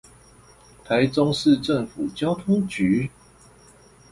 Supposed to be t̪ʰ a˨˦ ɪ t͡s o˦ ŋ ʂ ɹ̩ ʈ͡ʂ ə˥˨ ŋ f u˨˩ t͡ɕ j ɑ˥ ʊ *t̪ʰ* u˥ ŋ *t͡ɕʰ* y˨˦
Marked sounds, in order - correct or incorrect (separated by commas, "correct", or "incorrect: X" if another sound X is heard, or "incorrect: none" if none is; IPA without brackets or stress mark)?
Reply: correct, incorrect: t͡ɕ